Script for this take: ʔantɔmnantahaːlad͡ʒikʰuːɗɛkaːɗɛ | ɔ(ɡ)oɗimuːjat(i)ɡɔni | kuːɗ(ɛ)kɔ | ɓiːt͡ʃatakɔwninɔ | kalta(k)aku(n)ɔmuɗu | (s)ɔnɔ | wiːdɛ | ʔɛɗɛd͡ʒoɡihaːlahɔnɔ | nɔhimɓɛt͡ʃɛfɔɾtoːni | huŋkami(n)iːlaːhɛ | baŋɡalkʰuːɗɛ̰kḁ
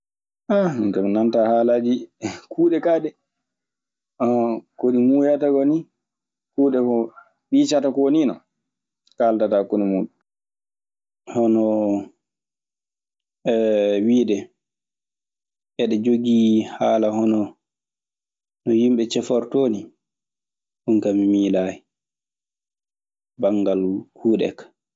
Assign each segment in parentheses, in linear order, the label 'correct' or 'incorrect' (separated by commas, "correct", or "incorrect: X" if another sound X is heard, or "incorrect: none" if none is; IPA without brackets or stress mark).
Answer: incorrect: k, incorrect: a, correct, incorrect: t, correct, incorrect: h, incorrect: m